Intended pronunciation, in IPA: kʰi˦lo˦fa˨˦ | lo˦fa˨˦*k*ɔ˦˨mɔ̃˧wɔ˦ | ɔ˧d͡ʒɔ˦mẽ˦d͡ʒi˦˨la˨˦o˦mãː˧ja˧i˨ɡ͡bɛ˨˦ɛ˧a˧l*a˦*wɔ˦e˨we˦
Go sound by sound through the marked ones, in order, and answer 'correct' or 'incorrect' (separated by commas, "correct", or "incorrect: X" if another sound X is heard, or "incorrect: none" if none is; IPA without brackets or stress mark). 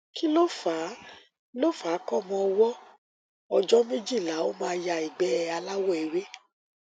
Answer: correct, correct